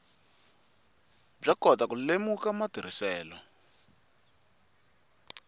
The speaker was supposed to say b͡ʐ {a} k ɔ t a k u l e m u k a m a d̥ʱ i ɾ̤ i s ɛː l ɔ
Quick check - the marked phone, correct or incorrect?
correct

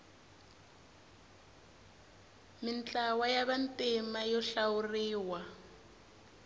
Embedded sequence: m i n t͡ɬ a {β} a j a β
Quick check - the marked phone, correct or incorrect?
incorrect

